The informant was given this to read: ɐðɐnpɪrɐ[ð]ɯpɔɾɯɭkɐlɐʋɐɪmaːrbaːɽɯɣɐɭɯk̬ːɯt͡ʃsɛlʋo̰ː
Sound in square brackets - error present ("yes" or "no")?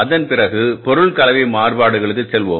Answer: yes